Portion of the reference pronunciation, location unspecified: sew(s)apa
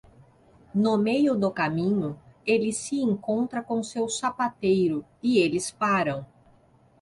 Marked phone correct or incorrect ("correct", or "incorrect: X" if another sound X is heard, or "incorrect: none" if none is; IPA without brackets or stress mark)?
correct